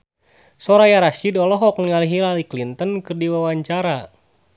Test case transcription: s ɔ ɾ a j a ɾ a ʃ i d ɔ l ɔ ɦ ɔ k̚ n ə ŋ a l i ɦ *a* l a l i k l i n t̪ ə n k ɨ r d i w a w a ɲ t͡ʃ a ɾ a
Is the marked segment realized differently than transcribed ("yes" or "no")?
yes